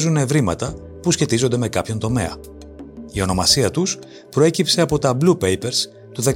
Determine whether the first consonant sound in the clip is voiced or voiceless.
voiced